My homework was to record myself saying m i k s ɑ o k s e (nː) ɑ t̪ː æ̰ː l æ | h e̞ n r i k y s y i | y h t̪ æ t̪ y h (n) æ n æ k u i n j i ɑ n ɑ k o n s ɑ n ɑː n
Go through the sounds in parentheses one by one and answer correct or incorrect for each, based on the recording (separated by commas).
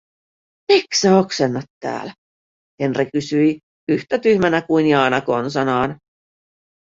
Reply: correct, incorrect